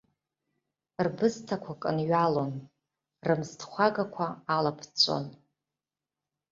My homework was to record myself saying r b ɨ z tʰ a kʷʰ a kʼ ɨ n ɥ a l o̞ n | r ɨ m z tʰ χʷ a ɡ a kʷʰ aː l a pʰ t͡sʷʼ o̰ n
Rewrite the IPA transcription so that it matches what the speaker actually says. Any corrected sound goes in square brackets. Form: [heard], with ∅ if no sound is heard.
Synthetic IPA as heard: r b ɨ z tʰ a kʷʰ a kʼ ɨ n ɥ a l o̞ n | r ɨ m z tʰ χʷ a ɡ a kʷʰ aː l a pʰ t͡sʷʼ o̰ n